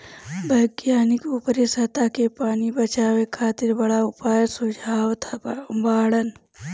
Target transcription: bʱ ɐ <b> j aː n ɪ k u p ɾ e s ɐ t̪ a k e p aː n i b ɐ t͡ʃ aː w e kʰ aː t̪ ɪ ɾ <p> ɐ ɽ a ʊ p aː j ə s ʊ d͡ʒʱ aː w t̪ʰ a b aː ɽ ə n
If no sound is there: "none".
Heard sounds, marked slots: ɡ, b

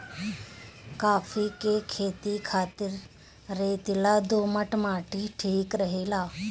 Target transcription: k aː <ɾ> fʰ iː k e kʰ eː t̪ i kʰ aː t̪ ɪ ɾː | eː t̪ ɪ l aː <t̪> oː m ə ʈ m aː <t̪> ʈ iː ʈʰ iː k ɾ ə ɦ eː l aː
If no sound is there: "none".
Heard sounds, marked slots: none, d̪, none

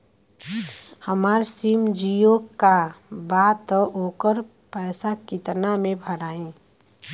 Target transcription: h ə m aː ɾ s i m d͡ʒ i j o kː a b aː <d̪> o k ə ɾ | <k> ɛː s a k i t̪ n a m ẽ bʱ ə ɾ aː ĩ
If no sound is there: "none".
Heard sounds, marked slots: t̪, p

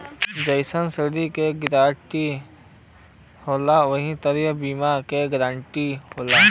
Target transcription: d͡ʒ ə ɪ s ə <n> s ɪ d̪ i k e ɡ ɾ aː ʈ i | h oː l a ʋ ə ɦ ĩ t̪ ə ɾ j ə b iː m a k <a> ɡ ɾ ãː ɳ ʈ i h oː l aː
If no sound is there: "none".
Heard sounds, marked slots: n, e

